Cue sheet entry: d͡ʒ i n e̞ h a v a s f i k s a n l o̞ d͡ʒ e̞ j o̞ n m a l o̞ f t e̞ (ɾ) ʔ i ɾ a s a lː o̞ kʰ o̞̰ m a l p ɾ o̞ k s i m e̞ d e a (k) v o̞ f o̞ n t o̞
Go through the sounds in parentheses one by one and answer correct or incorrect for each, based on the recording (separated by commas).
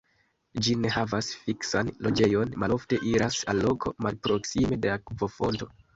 incorrect, correct